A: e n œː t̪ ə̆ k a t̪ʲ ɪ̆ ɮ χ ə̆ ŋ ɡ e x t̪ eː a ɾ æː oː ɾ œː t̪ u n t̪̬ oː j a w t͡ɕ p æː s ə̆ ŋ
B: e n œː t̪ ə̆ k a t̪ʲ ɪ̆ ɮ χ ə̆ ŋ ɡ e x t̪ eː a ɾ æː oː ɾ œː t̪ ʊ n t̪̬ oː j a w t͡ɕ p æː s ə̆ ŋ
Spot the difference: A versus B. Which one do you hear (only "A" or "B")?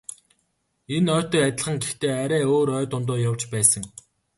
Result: B